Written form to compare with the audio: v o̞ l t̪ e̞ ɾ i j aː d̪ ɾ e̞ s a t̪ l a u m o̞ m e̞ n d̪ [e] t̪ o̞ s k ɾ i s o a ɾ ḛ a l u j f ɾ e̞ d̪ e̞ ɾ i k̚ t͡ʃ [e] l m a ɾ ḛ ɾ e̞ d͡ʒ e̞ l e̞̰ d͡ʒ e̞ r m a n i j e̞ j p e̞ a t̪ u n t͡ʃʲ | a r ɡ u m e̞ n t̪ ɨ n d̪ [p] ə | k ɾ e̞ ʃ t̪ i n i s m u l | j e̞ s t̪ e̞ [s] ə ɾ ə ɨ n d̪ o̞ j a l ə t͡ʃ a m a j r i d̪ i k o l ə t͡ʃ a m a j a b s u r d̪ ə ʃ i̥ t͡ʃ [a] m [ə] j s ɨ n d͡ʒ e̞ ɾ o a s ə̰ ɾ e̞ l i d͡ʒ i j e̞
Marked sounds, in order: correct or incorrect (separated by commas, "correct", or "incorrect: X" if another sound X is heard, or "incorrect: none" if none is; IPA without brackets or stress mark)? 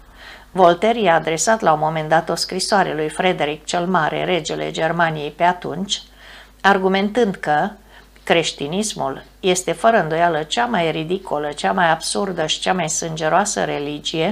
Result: incorrect: a, correct, incorrect: k, incorrect: f, correct, incorrect: a